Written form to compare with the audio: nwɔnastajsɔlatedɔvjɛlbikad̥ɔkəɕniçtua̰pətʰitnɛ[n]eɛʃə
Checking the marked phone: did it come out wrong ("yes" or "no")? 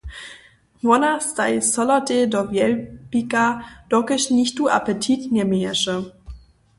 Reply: yes